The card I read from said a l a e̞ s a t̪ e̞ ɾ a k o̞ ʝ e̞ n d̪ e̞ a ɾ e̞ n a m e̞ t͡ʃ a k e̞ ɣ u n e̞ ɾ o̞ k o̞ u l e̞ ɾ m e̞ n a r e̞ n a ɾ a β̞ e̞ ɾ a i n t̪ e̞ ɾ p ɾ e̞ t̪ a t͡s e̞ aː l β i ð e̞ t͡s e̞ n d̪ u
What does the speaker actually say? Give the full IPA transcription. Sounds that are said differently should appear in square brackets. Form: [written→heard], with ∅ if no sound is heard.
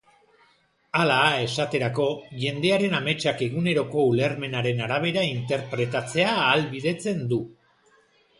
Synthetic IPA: a l a e̞ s a t̪ e̞ ɾ a k o̞ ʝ e̞ n d̪ e̞ a ɾ e̞ n a m e̞ t͡ʃ a k e̞ ɣ u n e̞ ɾ o̞ k o̞ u l e̞ ɾ m e̞ n a [r→ɾ] e̞ n a ɾ a β̞ e̞ ɾ a i n t̪ e̞ ɾ p ɾ e̞ t̪ a t͡s e̞ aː l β i ð e̞ t͡s e̞ n d̪ u

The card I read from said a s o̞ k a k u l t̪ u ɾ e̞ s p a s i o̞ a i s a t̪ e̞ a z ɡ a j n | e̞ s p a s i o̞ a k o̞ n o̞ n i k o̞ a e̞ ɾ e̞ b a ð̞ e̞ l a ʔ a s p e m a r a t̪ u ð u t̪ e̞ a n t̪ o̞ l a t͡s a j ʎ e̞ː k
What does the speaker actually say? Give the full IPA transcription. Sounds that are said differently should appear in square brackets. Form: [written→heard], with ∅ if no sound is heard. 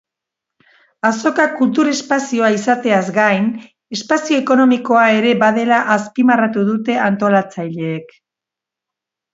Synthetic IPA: a s o̞ k a k u l t̪ u ɾ e̞ s p a s i o̞ a i s a t̪ e̞ a z ɡ a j n | e̞ s p a s i o̞ [a→e] k o̞ n o̞ [n→m] i k o̞ a e̞ ɾ e̞ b a ð̞ e̞ l a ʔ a s p [e→i] m a r a t̪ u ð u t̪ e̞ a n t̪ o̞ l a t͡s a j ʎ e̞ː k

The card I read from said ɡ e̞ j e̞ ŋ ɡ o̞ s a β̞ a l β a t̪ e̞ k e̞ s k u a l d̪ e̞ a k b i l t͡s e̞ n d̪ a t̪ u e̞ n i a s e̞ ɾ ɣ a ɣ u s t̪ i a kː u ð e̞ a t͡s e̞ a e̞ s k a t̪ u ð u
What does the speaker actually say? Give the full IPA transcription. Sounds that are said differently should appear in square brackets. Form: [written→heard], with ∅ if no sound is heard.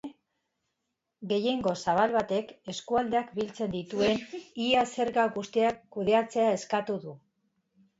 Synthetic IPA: ɡ e̞ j e̞ ŋ ɡ o̞ s a β̞ a l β a t̪ e̞ k e̞ s k u a l d̪ e̞ a k b i l t͡s e̞ n d̪ [a→i] t̪ u e̞ n i a s e̞ ɾ ɣ a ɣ u s t̪ i a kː u ð e̞ a t͡s e̞ a e̞ s k a t̪ u ð u

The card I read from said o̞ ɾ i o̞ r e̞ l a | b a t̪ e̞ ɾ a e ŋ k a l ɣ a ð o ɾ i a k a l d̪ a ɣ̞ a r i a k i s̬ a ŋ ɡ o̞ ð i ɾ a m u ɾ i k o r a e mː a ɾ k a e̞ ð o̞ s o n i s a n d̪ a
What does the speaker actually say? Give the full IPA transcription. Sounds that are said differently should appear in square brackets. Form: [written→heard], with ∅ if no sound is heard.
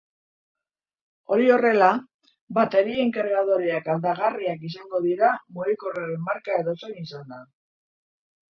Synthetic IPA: o̞ ɾ i o̞ r e̞ l a | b a t̪ e̞ ɾ [a→i] e ŋ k a [l→ɾ] ɣ a ð o ɾ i a k a l d̪ a ɣ̞ a r i a k i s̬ a ŋ ɡ o̞ ð i ɾ a m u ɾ i k o r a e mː a ɾ k a e̞ ð o̞ s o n i s a n d̪ a

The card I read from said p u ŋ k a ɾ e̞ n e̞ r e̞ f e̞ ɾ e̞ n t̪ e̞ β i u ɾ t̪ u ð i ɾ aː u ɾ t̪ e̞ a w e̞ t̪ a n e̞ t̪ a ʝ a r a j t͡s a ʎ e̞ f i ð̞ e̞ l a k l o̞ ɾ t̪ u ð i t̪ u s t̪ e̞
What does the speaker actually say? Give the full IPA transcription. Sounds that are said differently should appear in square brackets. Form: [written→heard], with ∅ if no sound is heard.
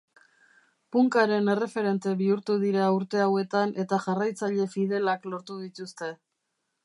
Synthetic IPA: p u ŋ k a ɾ e̞ n e̞ r e̞ f e̞ ɾ e̞ n t̪ e̞ β i u ɾ t̪ u ð i ɾ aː u ɾ t̪ e̞ a w e̞ t̪ a n e̞ t̪ a ʝ a r a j t͡s a ʎ e̞ f i ð̞ e̞ l a k l o̞ ɾ t̪ u ð i t̪ u s t̪ e̞

